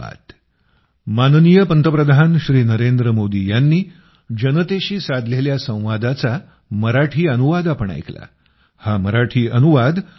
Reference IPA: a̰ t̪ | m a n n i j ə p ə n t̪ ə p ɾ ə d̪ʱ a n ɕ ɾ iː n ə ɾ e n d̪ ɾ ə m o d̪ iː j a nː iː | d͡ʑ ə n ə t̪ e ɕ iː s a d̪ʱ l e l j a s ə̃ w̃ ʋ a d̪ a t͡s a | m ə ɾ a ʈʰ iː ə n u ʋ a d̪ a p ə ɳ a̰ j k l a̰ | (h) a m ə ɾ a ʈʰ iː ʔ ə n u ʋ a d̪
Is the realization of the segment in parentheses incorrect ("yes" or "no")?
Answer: no